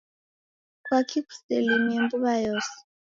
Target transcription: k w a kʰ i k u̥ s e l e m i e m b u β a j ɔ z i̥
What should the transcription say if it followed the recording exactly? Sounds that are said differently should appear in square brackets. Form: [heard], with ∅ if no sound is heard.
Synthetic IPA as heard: k w a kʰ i k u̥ s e l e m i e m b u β a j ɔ [s] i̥